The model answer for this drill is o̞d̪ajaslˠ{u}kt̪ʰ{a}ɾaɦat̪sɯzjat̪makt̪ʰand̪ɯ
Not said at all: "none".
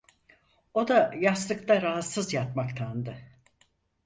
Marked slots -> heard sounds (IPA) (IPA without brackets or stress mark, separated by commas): ɯ, a